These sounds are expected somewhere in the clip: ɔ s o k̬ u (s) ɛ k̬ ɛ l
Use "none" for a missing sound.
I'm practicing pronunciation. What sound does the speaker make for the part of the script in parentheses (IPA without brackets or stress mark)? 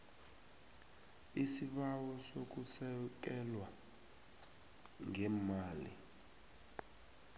s